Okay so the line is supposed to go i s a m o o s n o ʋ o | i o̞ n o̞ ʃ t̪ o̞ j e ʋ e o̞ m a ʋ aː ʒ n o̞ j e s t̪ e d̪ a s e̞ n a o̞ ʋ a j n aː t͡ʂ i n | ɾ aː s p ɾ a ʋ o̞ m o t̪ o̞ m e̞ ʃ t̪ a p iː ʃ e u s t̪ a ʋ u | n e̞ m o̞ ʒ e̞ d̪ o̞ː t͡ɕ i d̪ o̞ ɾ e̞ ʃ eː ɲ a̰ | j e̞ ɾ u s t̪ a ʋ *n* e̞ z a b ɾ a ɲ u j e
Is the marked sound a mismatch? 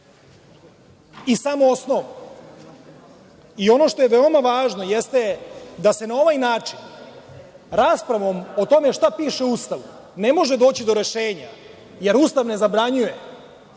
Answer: no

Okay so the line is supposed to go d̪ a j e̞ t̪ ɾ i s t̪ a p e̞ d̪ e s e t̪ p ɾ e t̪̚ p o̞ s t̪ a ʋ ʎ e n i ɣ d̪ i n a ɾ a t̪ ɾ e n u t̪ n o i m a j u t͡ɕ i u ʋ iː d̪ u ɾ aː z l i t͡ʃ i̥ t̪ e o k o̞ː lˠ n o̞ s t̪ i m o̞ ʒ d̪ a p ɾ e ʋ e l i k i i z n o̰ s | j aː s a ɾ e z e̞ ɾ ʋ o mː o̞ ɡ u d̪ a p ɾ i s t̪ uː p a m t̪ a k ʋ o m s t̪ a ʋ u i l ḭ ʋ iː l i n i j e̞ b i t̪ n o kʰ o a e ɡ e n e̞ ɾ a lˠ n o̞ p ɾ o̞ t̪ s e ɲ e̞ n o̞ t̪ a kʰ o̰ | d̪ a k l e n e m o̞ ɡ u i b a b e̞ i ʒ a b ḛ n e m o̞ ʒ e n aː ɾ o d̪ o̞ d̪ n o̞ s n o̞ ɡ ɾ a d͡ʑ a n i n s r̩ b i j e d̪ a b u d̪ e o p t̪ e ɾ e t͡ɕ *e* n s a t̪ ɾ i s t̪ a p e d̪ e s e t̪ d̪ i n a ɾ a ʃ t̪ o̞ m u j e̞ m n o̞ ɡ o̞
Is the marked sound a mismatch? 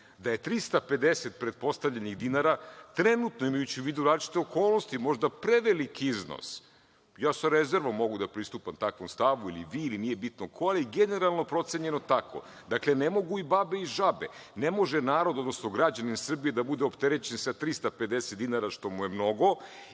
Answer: no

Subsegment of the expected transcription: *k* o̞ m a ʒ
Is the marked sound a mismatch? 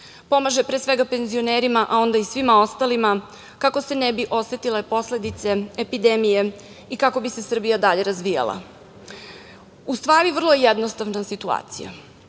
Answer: yes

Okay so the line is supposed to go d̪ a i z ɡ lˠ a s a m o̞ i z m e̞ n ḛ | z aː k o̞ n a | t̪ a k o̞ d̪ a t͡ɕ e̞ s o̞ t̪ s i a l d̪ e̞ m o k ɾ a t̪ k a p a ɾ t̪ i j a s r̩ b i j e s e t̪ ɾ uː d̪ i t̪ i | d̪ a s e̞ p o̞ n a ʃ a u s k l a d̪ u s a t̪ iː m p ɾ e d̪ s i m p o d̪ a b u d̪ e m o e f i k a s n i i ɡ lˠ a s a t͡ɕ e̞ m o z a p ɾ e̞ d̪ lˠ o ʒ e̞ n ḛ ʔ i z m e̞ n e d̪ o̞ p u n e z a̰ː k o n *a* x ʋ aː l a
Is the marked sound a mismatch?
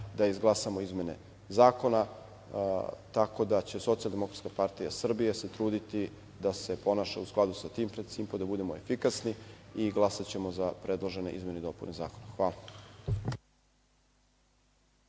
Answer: no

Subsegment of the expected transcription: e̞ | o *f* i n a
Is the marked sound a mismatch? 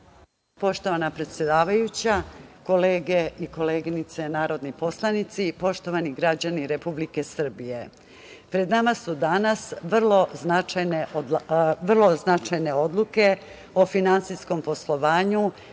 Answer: no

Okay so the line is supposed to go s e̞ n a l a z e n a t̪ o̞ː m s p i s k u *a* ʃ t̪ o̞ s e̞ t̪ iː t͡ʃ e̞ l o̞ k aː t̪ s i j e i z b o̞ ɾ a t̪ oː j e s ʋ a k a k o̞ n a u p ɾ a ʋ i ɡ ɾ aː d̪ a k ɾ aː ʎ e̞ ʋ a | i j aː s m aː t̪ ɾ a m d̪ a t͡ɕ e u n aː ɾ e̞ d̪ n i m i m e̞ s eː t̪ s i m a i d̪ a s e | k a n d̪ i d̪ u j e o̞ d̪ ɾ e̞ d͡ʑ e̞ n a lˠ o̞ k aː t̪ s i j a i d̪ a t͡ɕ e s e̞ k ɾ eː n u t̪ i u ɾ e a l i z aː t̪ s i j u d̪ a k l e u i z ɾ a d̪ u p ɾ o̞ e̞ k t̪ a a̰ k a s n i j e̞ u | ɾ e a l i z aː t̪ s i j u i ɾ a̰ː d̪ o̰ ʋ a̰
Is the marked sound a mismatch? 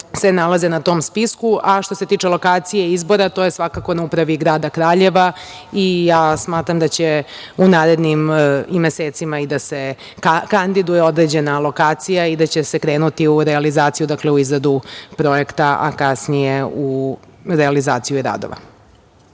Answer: no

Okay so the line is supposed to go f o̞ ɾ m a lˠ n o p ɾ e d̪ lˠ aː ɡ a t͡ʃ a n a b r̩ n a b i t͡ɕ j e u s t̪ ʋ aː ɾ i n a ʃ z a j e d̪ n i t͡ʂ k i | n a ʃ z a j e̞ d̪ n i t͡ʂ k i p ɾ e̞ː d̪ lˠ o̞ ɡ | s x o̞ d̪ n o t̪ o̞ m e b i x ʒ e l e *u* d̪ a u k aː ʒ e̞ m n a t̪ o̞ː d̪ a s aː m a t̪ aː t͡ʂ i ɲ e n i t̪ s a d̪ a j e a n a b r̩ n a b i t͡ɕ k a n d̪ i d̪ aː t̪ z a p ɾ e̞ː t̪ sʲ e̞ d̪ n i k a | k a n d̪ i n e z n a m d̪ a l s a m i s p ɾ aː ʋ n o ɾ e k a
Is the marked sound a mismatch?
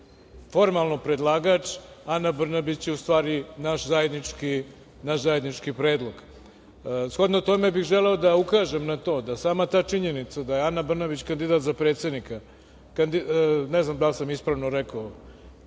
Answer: yes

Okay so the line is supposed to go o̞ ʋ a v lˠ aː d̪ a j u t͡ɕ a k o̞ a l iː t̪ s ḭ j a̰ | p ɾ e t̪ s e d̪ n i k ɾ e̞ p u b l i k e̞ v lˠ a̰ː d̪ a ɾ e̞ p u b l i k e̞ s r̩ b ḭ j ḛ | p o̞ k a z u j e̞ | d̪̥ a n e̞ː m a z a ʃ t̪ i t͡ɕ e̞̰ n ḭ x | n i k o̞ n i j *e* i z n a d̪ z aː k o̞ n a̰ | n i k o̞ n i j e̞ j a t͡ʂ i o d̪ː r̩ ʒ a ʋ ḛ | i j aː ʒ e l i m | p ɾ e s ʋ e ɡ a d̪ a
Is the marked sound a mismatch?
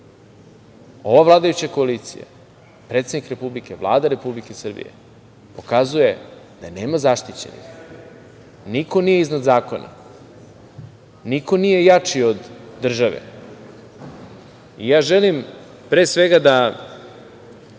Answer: no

